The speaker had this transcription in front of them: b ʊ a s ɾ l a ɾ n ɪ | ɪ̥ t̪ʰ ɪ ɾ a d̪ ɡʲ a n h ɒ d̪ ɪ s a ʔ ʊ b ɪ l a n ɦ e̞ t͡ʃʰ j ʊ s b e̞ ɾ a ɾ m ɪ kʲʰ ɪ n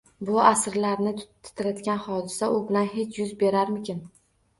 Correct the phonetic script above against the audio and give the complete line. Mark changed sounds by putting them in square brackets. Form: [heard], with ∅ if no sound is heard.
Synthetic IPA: b ʊ a s ɾ l a ɾ n ɪ | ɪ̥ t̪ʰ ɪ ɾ a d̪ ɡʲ a n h ɒ d̪ ɪ s a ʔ ʊ b ɪ l a n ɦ e̞ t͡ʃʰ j ʊ [z] b e̞ ɾ a ɾ m ɪ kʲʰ ɪ n